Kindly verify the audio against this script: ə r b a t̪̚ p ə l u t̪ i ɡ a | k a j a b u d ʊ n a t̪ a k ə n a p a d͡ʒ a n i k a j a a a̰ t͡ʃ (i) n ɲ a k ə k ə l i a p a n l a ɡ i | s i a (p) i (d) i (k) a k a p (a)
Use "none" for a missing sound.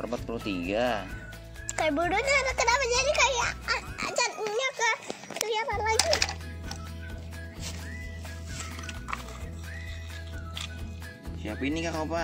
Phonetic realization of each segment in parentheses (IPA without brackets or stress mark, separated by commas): a, p, n, k, a